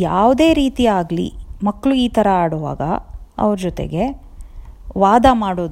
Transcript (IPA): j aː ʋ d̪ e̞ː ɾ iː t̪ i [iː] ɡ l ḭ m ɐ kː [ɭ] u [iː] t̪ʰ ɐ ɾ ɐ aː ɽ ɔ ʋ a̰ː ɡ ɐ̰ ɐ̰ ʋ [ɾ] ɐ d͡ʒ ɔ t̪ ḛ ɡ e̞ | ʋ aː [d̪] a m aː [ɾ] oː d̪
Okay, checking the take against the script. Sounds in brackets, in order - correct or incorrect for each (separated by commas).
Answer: incorrect, correct, correct, correct, correct, incorrect